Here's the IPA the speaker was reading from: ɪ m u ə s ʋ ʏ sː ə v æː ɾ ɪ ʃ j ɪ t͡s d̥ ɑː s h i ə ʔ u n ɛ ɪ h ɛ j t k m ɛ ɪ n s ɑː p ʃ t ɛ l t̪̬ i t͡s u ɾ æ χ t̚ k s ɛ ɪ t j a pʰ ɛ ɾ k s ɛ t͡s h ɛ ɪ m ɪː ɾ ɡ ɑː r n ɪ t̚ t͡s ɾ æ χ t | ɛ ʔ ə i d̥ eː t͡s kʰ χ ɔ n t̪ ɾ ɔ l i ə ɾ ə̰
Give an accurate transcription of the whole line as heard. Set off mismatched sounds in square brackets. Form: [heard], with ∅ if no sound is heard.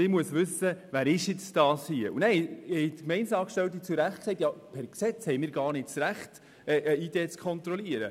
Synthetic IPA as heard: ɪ m u ə s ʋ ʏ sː ə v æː ɾ ɪ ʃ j ɪ t͡s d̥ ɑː s h i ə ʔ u n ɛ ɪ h ɛ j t k m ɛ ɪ n s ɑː [k] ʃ t ɛ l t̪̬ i t͡s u ɾ æ χ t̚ k s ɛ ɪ t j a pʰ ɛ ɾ k s ɛ t͡s h ɛ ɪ m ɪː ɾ ɡ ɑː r n ɪ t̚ t͡s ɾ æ χ t | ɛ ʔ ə i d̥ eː t͡s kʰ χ ɔ n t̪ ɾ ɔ l i ə ɾ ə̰